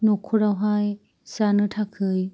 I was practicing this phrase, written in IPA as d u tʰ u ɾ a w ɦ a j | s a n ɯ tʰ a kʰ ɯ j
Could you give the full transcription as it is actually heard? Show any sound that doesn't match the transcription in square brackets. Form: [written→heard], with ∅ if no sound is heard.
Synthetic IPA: [d→n] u [tʰ→kʰ] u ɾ a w ɦ a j | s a n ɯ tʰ a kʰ ɯ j